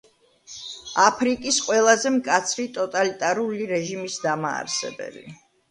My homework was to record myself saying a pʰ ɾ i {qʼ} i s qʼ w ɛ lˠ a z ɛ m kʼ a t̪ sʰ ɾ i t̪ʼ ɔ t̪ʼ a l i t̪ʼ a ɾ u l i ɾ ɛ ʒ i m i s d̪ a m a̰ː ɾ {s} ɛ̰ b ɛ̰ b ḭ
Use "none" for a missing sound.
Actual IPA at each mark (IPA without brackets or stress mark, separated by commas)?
kʼ, s